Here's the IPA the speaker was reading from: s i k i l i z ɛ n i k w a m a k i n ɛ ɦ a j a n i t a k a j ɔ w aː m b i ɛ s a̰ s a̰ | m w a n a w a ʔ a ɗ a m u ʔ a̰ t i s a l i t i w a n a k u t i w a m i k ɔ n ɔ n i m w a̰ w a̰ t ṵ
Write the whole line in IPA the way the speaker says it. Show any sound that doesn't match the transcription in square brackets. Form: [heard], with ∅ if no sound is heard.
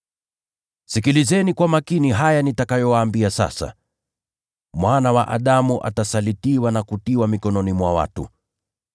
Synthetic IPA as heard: s i k i l i z ɛ n i k w a m a k i n [i] ɦ a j a n i t a k a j ɔ w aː m b i [a] s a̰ s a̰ | m w a n a w a ʔ a ɗ a m u ʔ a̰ t [a] s a l i t i w a n a k u t i w a m i k ɔ n ɔ n i m w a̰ w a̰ t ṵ